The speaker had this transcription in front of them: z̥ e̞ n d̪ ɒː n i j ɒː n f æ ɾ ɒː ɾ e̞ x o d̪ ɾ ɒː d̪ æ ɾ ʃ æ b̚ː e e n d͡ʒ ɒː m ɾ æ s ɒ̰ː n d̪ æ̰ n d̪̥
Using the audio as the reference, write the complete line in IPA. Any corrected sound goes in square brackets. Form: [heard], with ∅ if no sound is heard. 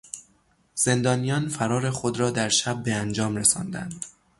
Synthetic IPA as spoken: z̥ e̞ n d̪ ɒː n i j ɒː n f æ ɾ ɒː ɾ e̞ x o d̪ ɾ ɒː d̪ æ ɾ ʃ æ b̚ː e [æ] n d͡ʒ ɒː m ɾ [e] s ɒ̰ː n d̪ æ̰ n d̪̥